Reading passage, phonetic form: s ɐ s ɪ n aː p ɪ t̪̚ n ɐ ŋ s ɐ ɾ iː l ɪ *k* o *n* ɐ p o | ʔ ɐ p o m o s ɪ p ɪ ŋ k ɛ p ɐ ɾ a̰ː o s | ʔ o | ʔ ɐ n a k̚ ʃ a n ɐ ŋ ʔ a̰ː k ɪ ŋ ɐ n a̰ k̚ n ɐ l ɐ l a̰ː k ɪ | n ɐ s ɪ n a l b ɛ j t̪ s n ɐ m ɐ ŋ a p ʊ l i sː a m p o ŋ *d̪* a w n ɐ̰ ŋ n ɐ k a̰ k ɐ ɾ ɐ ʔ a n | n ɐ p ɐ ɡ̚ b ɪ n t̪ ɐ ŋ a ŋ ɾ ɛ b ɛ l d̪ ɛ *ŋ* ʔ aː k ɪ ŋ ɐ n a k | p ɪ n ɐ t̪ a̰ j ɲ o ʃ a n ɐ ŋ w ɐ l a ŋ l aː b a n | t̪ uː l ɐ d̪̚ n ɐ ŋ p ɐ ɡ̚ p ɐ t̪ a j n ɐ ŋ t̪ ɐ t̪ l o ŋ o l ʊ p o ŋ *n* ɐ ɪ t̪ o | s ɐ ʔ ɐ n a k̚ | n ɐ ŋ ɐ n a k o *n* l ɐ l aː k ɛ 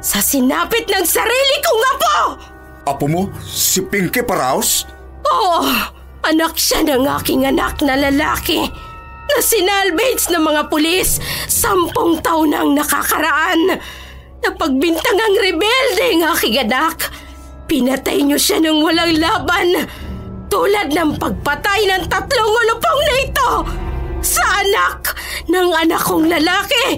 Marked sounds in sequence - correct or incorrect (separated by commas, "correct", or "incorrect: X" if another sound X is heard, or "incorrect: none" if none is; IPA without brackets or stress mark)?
correct, incorrect: ŋ, incorrect: t̪, correct, correct, incorrect: ŋ